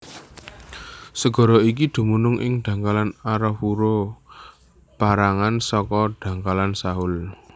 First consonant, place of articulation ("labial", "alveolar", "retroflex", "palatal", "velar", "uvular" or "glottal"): alveolar